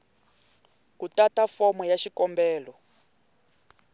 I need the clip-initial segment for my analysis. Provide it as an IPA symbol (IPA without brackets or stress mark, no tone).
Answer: k